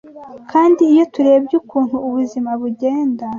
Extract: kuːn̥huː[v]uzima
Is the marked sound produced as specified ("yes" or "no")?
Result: no